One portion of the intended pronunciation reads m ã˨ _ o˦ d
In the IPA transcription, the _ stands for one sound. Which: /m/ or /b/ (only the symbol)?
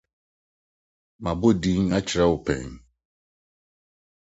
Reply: b